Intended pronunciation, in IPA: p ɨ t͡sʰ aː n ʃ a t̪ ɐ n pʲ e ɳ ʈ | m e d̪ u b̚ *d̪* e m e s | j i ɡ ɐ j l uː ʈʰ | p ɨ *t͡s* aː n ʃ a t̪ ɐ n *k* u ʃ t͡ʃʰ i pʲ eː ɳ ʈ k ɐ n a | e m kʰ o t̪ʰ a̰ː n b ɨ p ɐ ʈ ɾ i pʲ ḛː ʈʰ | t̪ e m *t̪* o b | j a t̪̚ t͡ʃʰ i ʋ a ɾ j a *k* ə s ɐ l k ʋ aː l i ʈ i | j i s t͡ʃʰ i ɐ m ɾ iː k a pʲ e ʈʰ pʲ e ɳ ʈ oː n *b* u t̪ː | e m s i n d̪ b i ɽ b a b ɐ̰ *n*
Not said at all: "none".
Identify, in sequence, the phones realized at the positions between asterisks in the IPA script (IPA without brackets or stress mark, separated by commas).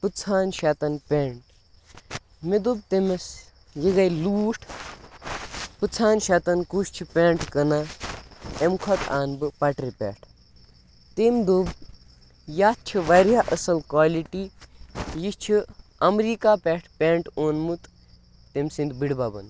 t̪, t͡sʰ, k, d̪, ʔ, m, n